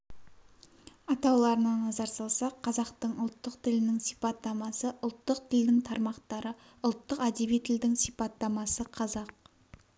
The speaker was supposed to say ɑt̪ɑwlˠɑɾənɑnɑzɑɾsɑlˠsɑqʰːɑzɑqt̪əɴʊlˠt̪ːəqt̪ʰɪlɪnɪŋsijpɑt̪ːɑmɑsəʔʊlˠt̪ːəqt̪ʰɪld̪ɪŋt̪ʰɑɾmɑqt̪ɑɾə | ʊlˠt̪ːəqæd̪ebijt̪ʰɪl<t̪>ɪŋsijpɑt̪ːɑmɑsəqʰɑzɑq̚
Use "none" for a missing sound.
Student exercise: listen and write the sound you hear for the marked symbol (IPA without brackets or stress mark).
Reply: d̪